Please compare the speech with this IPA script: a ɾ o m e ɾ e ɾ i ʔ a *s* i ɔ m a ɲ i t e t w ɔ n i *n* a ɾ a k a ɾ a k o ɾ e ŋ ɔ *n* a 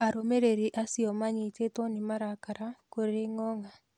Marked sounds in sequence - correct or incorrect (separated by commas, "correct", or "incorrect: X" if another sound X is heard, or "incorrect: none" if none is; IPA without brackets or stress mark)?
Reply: correct, incorrect: m, incorrect: ŋ